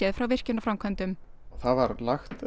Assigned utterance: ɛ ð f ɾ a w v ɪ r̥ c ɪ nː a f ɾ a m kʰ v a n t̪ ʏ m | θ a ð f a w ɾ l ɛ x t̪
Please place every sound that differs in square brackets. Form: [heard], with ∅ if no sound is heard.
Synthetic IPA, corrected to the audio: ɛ ð f ɾ a w v ɪ r̥ c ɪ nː a f ɾ a m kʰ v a n t̪ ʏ m | θ a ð [v] a [∅] ɾ l [a] x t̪